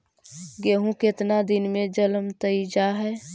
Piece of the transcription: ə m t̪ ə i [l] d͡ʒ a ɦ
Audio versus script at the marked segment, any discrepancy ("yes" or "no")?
yes